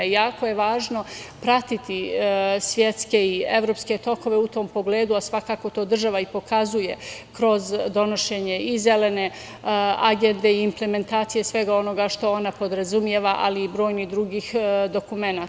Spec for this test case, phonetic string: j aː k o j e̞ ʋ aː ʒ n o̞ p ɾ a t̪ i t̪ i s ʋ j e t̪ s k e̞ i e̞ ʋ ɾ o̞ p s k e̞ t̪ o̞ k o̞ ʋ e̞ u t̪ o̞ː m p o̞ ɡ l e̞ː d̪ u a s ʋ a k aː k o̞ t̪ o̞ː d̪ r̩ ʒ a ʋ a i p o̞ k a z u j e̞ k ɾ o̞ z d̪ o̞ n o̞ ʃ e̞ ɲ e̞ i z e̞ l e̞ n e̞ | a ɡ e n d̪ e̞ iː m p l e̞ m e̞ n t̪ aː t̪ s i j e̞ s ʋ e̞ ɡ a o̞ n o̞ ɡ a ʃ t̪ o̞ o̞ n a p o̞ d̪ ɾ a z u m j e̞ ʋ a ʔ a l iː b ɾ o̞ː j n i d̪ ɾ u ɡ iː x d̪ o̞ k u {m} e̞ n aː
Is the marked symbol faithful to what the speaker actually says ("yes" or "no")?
yes